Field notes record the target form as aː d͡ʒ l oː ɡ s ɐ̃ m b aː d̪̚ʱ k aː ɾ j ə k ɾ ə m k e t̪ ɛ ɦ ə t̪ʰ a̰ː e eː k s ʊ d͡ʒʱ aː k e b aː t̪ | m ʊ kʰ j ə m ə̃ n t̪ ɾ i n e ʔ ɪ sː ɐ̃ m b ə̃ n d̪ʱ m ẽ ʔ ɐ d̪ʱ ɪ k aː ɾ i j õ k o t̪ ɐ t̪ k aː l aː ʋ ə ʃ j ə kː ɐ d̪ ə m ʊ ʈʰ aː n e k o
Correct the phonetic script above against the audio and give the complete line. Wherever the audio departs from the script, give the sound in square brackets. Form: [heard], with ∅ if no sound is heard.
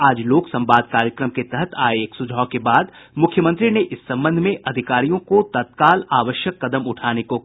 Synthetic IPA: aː d͡ʒ l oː [k] s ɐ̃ m b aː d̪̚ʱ k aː ɾ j ə k ɾ ə m k e t̪ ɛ ɦ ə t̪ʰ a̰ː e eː k s ʊ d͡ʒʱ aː k e b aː [d̪] | m ʊ kʰ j ə m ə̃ n t̪ ɾ i n e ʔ ɪ sː ɐ̃ m b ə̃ n d̪ʱ m ẽ ʔ ɐ d̪ʱ ɪ k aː ɾ i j õ k o t̪ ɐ t̪ k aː l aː ʋ ə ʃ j ə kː ɐ d̪ ə m ʊ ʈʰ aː n e k o

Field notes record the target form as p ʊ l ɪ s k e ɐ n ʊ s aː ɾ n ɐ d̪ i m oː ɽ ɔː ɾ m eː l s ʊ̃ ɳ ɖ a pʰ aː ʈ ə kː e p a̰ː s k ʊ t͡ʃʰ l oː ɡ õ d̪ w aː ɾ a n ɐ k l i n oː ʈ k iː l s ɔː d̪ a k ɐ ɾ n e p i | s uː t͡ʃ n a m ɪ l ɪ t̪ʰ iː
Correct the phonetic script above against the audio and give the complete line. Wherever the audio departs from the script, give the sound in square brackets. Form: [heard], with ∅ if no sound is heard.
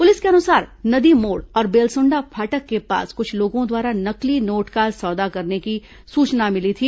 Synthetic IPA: p ʊ l ɪ s k e ɐ n ʊ s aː ɾ n ɐ d̪ i m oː ɽ ɔː ɾ [b] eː l s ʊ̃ ɳ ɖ a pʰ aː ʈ ə kː e p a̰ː s k ʊ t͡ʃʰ l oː ɡ õ d̪ w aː ɾ a n ɐ k l i n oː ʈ k [aː] l s ɔː d̪ a k ɐ ɾ n e [k] i | s uː t͡ʃ n a m ɪ l [i] t̪ʰ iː

